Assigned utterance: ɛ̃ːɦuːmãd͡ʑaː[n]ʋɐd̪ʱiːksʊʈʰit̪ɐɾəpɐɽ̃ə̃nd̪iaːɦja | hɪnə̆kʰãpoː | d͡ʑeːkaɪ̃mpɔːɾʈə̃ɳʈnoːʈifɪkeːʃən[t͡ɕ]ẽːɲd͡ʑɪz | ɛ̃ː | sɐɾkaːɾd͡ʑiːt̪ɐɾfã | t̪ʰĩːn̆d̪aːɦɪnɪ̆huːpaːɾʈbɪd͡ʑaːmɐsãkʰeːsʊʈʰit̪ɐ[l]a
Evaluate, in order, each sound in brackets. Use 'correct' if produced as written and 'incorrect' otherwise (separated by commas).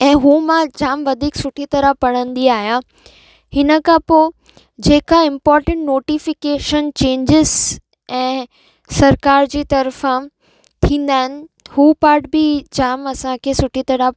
incorrect, correct, incorrect